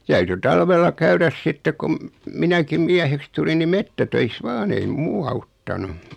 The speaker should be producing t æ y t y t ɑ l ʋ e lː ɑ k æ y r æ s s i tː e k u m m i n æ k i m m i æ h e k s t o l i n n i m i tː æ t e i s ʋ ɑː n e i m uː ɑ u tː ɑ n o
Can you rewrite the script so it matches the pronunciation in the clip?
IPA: t æ y t y t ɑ l ʋ e lː ɑ k æ y r æ s s i tː e k u m m i n æ k i m m i æ h e k s t u l i n n i m e tː æ t ø i s ʋ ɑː n e i m uː ɑ u tː ɑ n u